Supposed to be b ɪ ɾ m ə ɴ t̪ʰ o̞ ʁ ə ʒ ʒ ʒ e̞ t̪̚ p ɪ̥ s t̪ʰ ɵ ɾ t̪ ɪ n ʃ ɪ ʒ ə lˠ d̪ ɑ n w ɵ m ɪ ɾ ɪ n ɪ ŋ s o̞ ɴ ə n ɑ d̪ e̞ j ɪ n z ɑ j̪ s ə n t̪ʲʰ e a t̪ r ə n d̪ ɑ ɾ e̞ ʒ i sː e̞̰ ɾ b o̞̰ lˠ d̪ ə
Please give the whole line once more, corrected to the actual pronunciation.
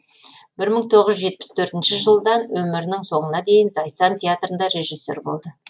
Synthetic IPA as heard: b ɪ ɾ m ə ɴ t̪ʰ o̞ ʁ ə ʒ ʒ ʒ e̞ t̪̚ p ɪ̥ s t̪ʰ ɵ ɾ t̪ ɪ n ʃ ɪ ʒ ə lˠ d̪ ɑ n w ɵ m ɪ ɾ ɪ n ɪ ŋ s o̞ ɴ ə n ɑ d̪ e̞ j ɪ n z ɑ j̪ s ɑ n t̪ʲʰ e a t̪ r ə n d̪ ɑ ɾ e̞ ʒ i sː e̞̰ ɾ b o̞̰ lˠ d̪ ə